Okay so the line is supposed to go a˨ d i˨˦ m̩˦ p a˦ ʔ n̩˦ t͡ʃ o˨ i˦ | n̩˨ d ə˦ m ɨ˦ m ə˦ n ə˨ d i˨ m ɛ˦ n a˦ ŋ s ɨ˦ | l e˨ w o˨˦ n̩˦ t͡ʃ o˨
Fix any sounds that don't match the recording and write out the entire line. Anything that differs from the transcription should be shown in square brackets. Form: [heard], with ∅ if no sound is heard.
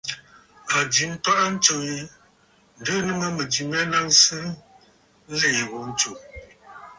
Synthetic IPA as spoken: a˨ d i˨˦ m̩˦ p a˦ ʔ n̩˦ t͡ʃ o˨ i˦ | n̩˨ d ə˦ [n] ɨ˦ [ŋ] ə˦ [m] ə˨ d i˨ m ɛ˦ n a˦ ŋ s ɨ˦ | l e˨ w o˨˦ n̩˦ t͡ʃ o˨